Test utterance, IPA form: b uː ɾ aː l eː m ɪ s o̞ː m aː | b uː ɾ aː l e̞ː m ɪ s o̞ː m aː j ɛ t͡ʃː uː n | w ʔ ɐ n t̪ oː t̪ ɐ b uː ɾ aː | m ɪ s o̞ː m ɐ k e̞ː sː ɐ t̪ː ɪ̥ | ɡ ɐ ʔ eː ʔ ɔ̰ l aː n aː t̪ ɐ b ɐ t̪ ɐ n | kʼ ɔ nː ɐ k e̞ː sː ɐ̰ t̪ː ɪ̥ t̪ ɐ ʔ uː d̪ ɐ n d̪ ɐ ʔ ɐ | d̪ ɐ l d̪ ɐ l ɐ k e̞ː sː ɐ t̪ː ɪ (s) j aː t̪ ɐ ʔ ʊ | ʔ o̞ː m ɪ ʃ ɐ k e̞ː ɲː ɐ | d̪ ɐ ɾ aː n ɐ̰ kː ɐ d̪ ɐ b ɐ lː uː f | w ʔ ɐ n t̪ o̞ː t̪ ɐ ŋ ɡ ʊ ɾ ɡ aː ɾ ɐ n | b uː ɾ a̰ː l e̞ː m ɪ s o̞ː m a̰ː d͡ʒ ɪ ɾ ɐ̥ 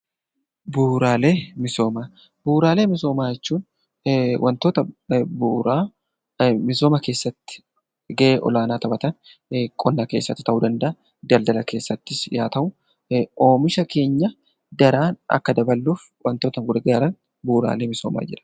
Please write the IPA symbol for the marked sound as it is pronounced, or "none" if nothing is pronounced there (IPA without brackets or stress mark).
s